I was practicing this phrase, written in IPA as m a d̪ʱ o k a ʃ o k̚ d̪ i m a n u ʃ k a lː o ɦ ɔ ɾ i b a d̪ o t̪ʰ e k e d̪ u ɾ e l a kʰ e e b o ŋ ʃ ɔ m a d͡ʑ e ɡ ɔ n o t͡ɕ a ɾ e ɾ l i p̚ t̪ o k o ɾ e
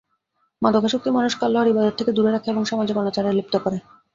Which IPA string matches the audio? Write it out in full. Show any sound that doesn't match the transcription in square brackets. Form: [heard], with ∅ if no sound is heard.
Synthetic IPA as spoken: m a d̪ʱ o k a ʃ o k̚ [t̪] i m a n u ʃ k a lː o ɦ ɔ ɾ i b a d̪ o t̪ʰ e k e d̪ u ɾ e [ɾ] a kʰ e e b o ŋ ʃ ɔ m a d͡ʑ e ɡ ɔ n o t͡ɕ a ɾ e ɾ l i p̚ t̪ o k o ɾ e